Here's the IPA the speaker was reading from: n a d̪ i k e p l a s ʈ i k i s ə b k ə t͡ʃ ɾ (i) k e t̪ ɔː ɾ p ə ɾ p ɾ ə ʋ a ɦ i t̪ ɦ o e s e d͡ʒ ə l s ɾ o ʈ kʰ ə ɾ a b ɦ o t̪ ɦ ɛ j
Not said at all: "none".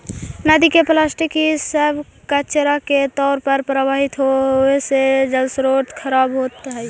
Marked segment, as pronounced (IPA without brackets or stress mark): a